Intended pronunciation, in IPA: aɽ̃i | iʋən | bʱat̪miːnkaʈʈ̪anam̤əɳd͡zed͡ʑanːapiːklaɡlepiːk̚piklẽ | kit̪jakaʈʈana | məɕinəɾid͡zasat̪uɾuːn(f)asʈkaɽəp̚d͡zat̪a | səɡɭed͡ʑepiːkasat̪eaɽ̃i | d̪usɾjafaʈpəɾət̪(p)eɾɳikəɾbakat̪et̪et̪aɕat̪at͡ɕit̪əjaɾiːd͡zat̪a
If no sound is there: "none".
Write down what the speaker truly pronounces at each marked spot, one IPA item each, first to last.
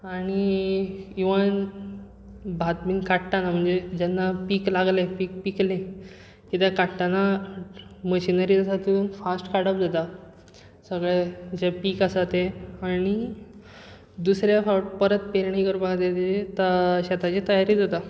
f, p

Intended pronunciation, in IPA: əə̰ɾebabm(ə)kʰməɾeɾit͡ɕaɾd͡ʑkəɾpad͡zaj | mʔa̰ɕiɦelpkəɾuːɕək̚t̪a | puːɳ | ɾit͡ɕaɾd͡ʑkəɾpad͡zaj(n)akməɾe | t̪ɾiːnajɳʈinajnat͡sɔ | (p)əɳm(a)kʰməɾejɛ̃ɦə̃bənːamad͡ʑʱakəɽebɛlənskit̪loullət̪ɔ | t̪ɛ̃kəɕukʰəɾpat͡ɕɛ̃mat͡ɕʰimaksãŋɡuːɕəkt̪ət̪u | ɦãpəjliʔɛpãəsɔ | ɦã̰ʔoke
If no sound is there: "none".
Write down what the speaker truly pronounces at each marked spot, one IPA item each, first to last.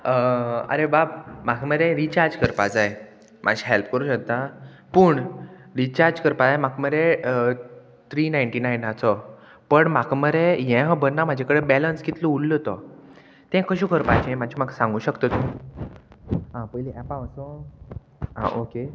a, m, p, a

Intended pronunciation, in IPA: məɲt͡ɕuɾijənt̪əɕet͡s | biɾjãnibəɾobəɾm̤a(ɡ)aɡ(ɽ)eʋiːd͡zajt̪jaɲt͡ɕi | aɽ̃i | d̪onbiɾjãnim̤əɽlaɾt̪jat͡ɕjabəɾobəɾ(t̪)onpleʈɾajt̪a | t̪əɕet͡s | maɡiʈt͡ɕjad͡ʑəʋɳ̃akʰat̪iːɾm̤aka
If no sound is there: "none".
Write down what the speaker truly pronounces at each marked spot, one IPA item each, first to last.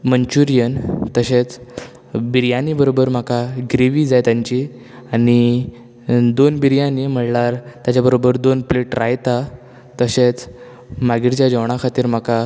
k, ɾ, d̪

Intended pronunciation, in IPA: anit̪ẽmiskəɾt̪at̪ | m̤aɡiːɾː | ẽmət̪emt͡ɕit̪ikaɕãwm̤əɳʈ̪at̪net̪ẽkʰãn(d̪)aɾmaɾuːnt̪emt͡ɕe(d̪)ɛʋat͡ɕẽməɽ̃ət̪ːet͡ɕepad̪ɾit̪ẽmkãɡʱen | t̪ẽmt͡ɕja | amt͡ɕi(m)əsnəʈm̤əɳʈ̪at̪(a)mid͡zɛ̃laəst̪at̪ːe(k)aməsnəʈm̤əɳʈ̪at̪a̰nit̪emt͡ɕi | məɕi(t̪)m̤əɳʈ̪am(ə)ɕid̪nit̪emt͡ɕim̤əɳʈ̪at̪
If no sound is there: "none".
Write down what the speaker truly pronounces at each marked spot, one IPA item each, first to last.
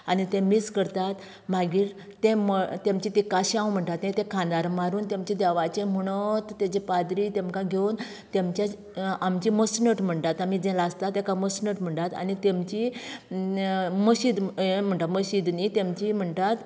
d̪, d̪, m, a, k, d̪, ə

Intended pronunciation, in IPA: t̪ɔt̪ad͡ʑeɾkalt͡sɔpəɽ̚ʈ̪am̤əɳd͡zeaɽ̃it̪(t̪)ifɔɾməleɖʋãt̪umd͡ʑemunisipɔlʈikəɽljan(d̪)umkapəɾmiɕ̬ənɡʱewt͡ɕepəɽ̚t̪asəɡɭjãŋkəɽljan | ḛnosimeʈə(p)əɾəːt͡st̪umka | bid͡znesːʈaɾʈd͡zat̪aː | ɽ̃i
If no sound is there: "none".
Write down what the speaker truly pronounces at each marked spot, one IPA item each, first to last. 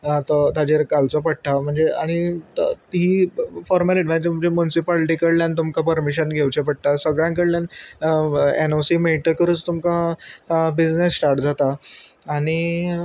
t̪, t̪, k

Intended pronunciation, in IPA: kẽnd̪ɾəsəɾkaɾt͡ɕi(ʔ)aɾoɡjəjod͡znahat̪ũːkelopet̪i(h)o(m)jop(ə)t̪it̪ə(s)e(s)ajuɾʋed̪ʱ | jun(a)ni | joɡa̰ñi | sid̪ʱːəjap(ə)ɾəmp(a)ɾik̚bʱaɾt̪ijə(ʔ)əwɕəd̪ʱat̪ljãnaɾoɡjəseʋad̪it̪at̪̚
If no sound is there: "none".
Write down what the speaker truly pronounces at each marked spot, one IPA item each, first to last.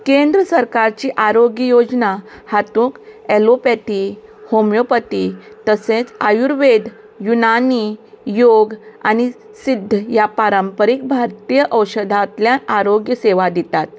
ʔ, h, m, ə, s, t͡s, a, a, ə, ʔ

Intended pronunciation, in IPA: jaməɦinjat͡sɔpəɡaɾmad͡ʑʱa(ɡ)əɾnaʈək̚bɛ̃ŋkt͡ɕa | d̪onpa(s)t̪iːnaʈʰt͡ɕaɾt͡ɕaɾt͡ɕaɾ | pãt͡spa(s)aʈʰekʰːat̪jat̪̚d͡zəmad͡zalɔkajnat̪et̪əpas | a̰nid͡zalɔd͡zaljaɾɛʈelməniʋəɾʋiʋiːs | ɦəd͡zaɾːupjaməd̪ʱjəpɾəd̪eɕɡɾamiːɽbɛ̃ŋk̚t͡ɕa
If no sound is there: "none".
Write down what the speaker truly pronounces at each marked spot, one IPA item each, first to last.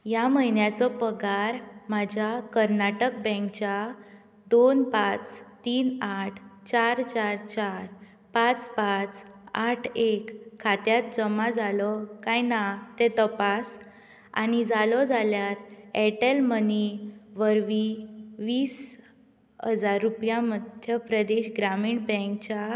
k, t͡s, t͡s

